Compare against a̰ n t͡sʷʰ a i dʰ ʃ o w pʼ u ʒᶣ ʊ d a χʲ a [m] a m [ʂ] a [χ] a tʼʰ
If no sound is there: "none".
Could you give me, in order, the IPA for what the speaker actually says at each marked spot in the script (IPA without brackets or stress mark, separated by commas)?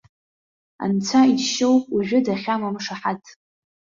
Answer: m, ʂ, ħ